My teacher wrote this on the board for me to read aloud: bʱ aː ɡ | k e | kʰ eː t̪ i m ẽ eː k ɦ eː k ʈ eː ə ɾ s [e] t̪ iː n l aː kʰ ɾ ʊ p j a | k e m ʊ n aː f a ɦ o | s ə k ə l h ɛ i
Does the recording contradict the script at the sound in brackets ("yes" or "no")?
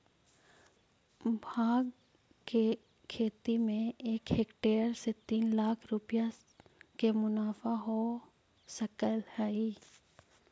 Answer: no